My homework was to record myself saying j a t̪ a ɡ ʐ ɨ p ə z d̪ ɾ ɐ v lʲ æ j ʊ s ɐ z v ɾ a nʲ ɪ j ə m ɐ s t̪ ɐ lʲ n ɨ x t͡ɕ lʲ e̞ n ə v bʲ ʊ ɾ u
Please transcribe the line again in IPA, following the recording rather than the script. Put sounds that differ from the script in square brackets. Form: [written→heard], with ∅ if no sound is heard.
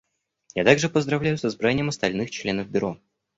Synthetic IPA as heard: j a t̪ a ɡ ʐ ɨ p ə z d̪ ɾ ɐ v lʲ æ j ʊ s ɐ z [v→b] ɾ a nʲ ɪ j ə m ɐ s t̪ ɐ lʲ n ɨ x t͡ɕ lʲ e̞ n ə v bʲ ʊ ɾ [u→o]